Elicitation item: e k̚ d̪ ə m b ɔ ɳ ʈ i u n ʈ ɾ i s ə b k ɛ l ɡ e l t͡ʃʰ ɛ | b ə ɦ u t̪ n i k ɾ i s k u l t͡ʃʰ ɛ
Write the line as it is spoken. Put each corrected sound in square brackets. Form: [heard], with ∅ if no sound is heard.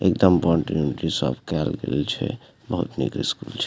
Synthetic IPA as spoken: e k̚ d̪ ə m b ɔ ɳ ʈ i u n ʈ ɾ i s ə b k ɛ l ɡ e l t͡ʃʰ ɛ | b ə ɦ u t̪ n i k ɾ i s k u l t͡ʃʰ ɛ

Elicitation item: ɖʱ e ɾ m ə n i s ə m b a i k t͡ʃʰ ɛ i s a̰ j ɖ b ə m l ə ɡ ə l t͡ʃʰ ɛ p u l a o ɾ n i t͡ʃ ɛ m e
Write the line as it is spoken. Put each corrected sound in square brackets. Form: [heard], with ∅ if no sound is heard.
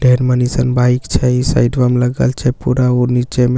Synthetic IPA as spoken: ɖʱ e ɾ m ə n i s ə [n] b a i k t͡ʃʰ ɛ i s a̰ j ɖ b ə m l ə ɡ ə l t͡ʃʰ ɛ p u [ɾ] a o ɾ n i t͡ʃ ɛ m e

